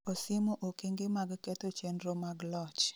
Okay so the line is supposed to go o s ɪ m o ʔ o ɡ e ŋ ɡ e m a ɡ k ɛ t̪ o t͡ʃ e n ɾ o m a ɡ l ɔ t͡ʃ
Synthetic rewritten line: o s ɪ m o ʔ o k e ŋ ɡ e m a ɡ k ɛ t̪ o t͡ʃ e n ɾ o m a ɡ l ɔ t͡ʃ